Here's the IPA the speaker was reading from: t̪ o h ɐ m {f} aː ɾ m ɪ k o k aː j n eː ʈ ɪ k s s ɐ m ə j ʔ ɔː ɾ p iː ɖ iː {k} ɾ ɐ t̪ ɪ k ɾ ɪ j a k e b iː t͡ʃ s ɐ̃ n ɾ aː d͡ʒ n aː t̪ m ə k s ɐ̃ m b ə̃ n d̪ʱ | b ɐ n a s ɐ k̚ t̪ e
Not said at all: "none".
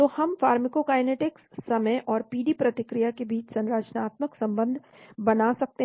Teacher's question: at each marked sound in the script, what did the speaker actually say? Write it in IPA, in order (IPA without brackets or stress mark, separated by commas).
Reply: f, p